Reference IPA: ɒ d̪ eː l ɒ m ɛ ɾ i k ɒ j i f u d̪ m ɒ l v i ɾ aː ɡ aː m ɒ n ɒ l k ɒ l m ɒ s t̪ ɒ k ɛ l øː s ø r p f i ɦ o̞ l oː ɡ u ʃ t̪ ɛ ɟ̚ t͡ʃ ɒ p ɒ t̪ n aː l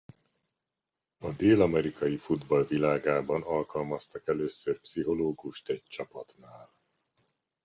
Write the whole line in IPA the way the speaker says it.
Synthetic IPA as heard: ɒ d̪ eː l ɒ m ɛ ɾ i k ɒ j i f u d̪ b ɒ l v i l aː ɡ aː b ɒ n ɒ l k ɒ l m ɒ s t̪ ɒ k ɛ l øː s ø r p s i ɦ o̞ l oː ɡ u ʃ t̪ ɛ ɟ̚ t͡ʃ ɒ p ɒ t̪ n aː l